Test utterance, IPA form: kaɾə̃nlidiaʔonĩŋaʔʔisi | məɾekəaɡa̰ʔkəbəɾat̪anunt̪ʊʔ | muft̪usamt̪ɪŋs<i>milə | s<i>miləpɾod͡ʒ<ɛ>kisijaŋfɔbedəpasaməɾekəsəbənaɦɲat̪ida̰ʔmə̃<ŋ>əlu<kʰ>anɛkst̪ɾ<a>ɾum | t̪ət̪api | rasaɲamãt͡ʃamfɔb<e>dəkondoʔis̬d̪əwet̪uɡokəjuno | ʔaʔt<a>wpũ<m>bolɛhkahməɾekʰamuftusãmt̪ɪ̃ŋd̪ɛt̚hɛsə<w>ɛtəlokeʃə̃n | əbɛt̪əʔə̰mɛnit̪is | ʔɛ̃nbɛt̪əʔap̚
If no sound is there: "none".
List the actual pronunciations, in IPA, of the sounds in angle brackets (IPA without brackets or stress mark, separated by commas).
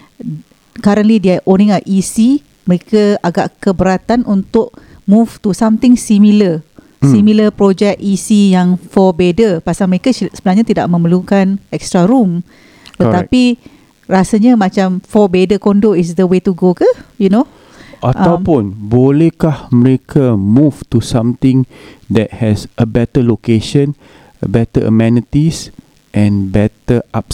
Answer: i, i, ɛ, m, k, a, e, a, n, b